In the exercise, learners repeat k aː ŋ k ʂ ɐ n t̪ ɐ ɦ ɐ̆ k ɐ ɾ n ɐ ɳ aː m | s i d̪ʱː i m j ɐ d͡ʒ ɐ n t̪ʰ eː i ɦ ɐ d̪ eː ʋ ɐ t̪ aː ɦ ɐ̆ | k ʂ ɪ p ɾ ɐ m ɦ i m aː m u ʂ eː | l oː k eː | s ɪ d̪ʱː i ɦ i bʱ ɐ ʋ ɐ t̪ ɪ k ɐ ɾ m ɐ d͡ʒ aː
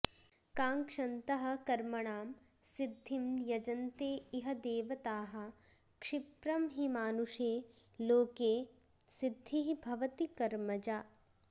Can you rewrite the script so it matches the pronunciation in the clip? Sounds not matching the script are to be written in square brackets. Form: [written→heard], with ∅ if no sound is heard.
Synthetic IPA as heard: k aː ŋ k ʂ ɐ n t̪ ɐ ɦ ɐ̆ k ɐ ɾ [n→m] ɐ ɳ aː m | s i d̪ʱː i m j ɐ d͡ʒ ɐ n [t̪ʰ→t̪] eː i ɦ ɐ d̪ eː ʋ ɐ t̪ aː ɦ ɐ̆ | k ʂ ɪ p ɾ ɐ m ɦ i m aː [m→n] u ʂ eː | l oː k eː | s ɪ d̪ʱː i ɦ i bʱ ɐ ʋ ɐ t̪ [ɪ→i] k ɐ ɾ m ɐ d͡ʒ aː